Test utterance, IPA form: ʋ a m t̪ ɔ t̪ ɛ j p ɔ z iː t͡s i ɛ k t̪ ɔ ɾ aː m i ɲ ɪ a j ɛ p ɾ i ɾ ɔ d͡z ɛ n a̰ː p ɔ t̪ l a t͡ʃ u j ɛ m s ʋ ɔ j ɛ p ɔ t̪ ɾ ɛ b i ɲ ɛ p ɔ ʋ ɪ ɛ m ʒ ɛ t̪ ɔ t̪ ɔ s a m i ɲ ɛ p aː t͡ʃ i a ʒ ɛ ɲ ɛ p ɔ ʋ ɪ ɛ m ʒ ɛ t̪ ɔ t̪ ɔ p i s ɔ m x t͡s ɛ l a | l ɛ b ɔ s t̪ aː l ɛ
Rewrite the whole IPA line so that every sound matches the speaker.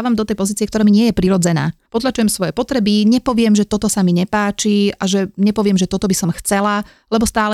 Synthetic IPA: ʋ a m d̪ ɔ t̪ ɛ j p ɔ z iː t͡s i ɛ k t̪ ɔ ɾ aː m i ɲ ɪ ɛ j ɛ p ɾ i ɾ ɔ d͡z ɛ n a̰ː p ɔ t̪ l a t͡ʃ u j ɛ m s ʋ ɔ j ɛ p ɔ t̪ ɾ ɛ b i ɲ ɛ p ɔ ʋ ɪ ɛ m ʒ ɛ t̪ ɔ t̪ ɔ s a m i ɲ ɛ p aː t͡ʃ i a ʒ ɛ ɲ ɛ p ɔ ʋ ɪ ɛ m ʒ ɛ t̪ ɔ t̪ ɔ b i s ɔ m x t͡s ɛ l a | l ɛ b ɔ s t̪ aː l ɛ